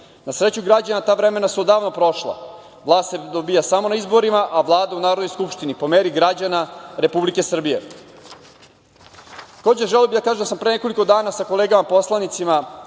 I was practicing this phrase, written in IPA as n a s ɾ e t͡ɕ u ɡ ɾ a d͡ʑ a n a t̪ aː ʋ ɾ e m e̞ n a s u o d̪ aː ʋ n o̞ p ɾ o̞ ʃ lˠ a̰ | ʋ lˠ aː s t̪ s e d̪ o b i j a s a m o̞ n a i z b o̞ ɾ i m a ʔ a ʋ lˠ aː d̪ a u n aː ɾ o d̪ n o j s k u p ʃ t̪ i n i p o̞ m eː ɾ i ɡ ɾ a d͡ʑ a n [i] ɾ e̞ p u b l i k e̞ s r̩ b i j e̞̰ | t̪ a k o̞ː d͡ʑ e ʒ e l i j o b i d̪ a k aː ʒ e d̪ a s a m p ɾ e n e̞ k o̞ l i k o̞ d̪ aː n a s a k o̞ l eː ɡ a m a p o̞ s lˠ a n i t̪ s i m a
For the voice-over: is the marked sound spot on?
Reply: no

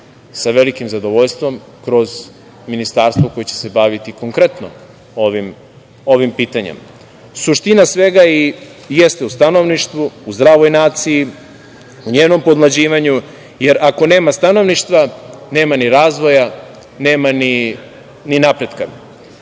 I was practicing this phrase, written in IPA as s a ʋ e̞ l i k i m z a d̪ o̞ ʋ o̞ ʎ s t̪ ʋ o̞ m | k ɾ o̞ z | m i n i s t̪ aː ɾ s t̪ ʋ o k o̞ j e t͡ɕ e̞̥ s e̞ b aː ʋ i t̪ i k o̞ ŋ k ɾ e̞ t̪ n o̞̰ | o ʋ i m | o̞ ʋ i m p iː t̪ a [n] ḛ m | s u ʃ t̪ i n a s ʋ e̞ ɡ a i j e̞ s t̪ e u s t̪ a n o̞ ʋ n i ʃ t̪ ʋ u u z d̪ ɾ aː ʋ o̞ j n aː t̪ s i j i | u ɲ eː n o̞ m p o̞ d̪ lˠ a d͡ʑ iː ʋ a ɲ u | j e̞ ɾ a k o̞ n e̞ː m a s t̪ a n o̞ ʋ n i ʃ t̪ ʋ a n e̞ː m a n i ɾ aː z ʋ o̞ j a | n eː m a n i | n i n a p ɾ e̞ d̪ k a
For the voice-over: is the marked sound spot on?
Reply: no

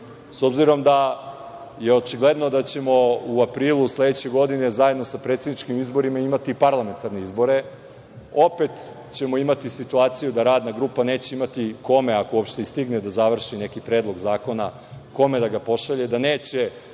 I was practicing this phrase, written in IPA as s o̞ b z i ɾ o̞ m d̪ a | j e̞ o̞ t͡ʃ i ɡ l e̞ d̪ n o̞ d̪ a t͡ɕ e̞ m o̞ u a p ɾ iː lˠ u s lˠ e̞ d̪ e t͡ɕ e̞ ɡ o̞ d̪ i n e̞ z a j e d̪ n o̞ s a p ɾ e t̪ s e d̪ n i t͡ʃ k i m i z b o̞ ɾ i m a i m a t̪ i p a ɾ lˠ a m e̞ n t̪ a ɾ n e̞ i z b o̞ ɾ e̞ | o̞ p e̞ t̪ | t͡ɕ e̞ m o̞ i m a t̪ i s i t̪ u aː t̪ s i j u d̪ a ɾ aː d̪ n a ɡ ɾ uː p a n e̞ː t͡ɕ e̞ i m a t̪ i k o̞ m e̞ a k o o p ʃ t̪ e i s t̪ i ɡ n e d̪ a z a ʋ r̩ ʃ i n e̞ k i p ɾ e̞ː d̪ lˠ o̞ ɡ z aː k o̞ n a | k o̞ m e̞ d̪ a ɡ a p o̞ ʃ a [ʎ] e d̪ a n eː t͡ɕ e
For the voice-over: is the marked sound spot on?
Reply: yes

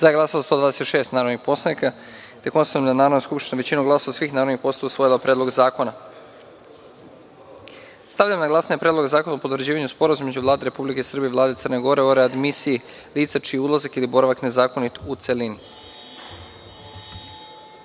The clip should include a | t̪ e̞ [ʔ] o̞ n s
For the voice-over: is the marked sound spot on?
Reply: no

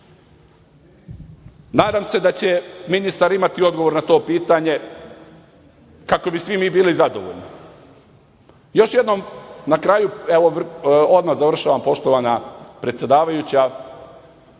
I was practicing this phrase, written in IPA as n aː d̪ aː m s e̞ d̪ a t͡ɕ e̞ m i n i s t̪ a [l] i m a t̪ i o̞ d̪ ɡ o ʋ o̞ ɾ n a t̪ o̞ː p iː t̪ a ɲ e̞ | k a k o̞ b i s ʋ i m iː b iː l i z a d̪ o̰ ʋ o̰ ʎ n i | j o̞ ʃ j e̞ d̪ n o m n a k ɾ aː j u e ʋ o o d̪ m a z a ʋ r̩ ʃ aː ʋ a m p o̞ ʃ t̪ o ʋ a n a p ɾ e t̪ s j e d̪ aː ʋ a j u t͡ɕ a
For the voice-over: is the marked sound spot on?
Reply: no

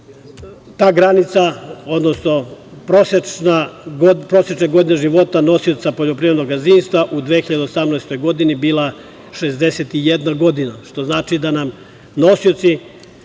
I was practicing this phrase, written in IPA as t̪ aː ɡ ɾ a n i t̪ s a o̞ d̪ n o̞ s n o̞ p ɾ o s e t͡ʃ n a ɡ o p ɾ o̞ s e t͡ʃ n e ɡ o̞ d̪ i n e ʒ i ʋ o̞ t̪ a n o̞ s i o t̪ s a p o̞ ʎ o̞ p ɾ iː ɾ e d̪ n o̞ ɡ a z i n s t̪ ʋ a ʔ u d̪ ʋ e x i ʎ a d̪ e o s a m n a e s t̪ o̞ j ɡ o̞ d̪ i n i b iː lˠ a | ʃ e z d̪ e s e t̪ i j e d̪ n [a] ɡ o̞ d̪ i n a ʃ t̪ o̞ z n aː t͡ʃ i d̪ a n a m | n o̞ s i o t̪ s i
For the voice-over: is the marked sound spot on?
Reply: yes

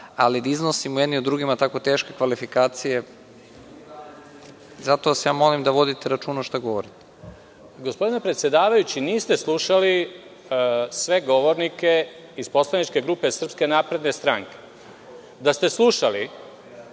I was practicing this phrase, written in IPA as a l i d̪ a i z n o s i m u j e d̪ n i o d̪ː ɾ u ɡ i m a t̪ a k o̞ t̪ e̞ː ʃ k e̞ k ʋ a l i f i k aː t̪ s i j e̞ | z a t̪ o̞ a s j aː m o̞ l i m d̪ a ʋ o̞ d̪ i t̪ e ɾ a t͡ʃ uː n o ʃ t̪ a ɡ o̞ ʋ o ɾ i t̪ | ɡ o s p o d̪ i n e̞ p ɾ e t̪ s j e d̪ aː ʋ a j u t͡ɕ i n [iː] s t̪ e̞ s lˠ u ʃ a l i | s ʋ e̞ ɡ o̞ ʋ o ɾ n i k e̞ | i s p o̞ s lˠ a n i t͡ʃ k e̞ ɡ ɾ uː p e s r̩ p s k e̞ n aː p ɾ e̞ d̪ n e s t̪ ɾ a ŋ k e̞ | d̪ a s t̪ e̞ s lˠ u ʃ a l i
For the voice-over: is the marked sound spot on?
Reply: yes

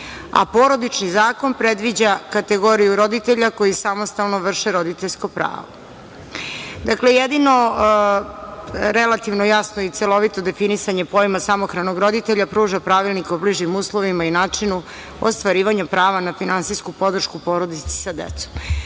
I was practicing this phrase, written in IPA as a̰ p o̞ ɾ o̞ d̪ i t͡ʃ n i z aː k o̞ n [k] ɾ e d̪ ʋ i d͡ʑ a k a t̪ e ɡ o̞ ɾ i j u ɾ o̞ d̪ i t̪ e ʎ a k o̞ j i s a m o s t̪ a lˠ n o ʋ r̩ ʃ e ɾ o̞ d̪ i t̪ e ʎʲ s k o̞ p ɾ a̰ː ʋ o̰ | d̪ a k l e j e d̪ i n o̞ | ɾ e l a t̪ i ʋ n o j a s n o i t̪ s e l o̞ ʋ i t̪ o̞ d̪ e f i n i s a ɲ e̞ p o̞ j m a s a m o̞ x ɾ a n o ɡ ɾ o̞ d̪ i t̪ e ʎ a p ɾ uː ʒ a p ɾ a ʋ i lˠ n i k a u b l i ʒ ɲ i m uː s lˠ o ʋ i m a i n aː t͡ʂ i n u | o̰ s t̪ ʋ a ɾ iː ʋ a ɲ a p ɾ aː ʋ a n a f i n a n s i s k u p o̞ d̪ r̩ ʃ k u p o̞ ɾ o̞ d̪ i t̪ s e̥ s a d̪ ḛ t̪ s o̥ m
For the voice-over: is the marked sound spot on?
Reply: no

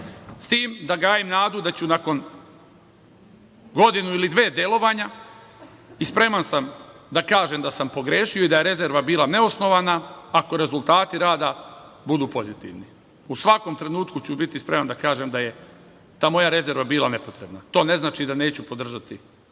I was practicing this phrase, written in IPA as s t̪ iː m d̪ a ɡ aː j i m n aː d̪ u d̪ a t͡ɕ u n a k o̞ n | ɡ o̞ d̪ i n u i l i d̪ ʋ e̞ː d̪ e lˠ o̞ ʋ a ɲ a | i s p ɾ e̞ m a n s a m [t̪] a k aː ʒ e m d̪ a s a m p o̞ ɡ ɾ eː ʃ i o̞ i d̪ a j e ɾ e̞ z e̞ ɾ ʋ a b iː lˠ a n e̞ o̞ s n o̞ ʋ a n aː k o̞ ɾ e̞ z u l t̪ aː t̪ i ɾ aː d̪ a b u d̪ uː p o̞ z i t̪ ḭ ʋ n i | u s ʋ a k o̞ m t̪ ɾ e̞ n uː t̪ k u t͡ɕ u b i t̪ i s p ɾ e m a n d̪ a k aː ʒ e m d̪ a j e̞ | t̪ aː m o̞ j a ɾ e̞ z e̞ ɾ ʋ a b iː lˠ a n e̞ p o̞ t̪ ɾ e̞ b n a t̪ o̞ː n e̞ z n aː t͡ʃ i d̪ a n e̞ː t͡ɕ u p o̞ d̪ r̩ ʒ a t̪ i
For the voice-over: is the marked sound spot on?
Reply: no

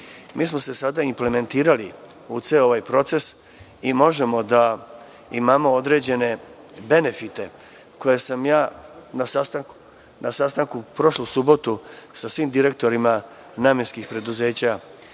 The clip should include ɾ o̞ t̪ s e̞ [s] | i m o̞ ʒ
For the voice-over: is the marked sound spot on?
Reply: yes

